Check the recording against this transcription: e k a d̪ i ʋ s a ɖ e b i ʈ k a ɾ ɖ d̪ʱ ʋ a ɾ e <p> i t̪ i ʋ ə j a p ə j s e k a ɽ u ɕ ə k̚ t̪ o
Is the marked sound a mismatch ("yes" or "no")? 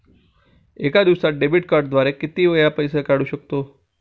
yes